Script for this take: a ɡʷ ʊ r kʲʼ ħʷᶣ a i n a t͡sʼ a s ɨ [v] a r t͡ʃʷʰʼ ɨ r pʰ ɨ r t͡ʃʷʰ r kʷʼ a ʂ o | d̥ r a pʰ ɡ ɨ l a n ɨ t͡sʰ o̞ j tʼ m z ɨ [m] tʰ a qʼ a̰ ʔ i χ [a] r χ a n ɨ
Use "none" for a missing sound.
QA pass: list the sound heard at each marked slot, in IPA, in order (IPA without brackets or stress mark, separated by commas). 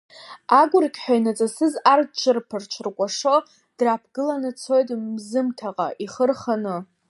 z, m, ə